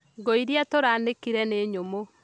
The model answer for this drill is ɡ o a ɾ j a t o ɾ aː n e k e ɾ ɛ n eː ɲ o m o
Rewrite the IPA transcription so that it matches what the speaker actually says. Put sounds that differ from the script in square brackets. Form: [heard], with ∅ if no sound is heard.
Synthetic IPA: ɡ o [i] ɾ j a t o ɾ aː n e k [i] ɾ ɛ n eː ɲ o m o